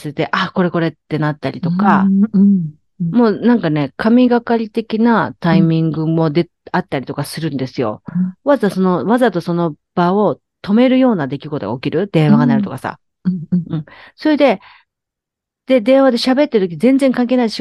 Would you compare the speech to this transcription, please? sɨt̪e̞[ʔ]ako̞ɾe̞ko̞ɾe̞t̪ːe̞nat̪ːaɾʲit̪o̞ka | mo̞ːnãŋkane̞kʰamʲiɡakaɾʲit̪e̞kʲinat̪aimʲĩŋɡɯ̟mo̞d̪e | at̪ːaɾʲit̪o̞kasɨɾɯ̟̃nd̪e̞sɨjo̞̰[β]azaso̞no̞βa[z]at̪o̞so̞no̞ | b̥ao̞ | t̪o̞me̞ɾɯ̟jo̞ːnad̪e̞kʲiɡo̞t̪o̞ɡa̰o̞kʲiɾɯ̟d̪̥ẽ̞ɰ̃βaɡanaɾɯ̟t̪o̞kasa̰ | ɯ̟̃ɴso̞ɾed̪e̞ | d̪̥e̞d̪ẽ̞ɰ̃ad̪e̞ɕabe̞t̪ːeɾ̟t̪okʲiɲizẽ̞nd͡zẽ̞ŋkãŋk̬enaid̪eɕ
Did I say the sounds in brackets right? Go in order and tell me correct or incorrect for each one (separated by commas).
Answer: correct, correct, correct